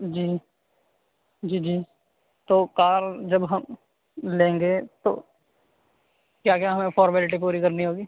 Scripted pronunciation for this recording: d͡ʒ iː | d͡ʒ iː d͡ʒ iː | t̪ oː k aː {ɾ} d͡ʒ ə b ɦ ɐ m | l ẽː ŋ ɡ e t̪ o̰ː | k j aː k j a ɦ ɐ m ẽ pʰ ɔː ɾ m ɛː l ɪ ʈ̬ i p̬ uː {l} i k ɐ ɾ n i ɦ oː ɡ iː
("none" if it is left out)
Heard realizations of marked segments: ɾ, ɾ

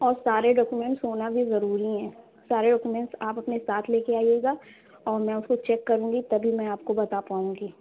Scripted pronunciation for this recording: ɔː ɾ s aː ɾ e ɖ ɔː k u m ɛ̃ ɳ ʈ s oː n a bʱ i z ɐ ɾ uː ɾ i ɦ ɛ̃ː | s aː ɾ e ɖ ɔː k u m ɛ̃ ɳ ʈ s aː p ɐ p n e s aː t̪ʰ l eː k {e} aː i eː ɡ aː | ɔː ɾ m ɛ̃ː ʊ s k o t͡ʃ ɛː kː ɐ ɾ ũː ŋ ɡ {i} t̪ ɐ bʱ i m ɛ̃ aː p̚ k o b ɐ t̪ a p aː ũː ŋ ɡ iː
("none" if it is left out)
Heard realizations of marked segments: e, i

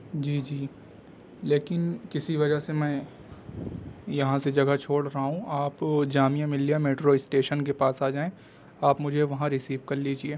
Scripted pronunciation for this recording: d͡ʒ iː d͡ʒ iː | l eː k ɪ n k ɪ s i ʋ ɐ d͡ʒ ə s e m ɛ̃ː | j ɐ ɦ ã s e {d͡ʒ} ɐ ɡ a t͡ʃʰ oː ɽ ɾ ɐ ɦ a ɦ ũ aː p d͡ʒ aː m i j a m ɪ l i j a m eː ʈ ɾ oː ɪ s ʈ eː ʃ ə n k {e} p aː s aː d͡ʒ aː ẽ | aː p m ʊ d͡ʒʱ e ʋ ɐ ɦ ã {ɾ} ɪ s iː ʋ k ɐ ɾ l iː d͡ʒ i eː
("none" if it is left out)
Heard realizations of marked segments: d͡ʒ, e, ɾ

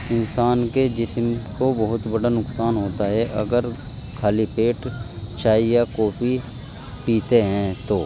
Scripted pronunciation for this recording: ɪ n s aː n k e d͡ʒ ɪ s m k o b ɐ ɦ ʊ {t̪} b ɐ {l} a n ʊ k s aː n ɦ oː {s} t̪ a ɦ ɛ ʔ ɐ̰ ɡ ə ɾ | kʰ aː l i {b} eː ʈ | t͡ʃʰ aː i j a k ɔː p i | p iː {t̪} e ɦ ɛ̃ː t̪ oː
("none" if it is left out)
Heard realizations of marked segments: t̪, ɽ, none, p, t̪

